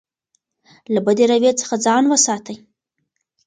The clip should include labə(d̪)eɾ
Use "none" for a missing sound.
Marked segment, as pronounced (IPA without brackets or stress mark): d̪